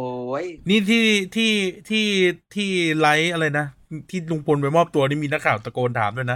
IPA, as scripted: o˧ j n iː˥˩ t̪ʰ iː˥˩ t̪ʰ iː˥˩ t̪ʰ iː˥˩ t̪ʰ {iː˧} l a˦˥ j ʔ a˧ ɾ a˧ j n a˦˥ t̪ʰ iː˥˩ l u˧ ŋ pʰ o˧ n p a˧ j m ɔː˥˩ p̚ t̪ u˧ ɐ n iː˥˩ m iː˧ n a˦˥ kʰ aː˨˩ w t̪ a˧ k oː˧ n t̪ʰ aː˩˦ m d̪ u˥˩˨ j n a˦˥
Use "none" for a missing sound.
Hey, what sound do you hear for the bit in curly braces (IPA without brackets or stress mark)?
iː˥˩